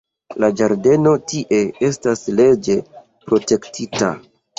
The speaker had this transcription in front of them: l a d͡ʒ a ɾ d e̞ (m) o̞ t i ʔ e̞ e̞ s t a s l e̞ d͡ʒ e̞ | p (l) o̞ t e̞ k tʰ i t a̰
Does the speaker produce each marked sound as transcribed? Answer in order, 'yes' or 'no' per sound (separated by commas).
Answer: no, no